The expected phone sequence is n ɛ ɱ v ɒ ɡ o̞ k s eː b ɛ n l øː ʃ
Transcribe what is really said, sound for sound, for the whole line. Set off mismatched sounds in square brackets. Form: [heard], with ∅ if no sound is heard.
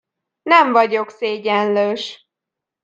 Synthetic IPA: n ɛ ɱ v ɒ [ɟ] o̞ k s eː [ɟ] ɛ n l øː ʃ